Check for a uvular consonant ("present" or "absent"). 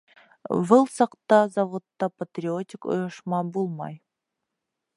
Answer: present